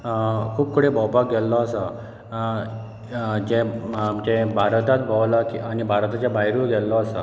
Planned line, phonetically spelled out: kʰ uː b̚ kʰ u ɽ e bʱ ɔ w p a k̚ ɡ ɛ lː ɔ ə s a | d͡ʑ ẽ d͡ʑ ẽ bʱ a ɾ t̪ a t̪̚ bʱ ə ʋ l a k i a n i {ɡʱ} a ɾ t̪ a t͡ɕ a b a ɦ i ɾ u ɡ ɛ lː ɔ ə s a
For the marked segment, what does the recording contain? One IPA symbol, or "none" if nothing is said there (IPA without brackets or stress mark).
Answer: bʱ